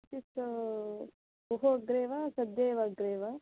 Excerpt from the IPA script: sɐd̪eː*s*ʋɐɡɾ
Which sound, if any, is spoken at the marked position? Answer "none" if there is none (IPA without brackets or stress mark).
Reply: none